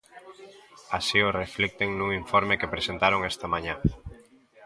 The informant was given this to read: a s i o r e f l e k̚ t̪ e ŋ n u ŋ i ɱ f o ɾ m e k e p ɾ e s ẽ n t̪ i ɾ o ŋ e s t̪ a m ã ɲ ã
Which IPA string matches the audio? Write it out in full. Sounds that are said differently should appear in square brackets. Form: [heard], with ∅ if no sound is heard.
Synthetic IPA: a s i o r e f l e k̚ t̪ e ŋ n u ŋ i ɱ f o ɾ m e k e p ɾ e s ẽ n t̪ [a] ɾ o ŋ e s t̪ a m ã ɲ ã